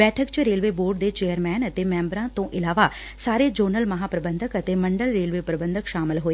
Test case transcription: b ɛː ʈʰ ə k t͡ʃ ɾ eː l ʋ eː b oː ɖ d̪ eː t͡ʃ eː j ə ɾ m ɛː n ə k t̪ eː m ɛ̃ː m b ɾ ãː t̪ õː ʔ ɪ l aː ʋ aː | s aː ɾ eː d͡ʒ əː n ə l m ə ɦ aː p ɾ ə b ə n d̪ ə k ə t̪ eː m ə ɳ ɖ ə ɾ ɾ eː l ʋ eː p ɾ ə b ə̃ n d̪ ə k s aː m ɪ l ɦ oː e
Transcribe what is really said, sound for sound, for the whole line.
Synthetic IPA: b ɛː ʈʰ ə k t͡ʃ ɾ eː l ʋ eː b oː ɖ d̪ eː t͡ʃ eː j ə ɾ m ɛː n ə t̪ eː m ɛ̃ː m b ɾ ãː t̪ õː ʔ ɪ l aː ʋ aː | s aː ɾ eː d͡ʒ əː n ə l m ə ɦ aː p ɾ ə b ə n d̪ ə k ə t̪ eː m ə ɳ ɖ ə l ɾ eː l ʋ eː p ɾ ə b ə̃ n d̪ ə k ʃ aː m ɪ l ɦ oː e